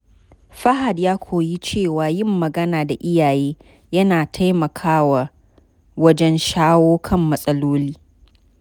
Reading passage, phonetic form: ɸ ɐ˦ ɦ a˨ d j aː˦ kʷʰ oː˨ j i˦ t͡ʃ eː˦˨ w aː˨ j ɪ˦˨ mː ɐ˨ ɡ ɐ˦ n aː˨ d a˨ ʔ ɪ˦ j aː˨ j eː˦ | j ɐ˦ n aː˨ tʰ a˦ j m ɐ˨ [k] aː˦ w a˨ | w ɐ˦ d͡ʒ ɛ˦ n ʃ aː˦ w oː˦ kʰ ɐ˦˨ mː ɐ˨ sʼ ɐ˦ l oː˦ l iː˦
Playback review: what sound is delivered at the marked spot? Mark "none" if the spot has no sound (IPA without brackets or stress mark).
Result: kʰ